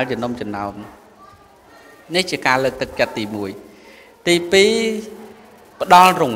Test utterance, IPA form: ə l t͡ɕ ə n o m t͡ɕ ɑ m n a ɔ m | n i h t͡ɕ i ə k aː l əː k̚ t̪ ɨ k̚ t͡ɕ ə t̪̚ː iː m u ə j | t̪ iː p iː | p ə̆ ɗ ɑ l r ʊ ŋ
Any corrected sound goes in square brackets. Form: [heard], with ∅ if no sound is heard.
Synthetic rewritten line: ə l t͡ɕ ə n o m t͡ɕ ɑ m n a ɔ m | n i h t͡ɕ i ə k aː l əː k̚ t̪ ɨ k̚ t͡ɕ ə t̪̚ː iː m u ə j | t̪ iː p iː | p ə̆ ɗ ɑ l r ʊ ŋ